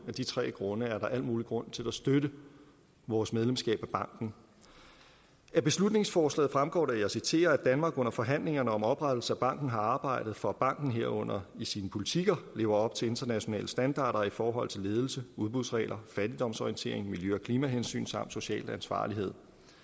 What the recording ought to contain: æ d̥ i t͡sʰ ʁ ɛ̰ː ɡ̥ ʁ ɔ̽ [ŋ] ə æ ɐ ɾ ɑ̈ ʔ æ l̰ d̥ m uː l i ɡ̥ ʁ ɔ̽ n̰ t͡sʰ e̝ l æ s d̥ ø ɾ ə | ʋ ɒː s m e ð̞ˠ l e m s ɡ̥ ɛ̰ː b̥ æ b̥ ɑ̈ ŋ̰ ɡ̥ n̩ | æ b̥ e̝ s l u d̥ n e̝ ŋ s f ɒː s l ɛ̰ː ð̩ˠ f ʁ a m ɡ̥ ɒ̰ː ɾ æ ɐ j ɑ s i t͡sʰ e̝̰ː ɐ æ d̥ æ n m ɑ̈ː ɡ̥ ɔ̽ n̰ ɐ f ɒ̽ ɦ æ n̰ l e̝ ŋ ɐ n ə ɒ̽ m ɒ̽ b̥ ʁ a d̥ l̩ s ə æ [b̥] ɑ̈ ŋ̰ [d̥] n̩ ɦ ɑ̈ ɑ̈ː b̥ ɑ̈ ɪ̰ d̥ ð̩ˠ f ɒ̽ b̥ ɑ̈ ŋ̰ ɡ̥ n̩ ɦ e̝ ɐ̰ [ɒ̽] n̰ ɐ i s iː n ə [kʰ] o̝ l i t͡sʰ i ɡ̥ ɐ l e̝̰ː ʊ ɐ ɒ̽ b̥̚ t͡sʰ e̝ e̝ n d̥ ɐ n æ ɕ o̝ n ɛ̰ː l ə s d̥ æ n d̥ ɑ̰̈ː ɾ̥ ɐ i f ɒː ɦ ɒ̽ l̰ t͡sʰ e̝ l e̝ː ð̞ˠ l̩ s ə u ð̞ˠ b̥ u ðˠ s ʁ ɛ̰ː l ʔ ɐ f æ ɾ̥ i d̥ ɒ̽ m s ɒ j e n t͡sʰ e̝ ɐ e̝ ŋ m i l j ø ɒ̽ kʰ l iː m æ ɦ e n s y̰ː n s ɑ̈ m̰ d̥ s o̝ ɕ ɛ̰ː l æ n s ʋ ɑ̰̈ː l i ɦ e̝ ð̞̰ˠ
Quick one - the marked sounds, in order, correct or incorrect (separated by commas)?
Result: incorrect, correct, incorrect, incorrect, incorrect